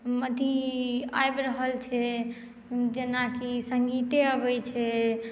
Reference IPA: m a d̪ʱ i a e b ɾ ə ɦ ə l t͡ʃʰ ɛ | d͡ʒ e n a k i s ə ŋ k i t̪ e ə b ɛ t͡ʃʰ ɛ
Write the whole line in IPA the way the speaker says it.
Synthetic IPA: m ə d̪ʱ i a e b ɾ ə ɦ ə l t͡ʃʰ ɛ | d͡ʒ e n a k i s ə ŋ ɡ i t̪ e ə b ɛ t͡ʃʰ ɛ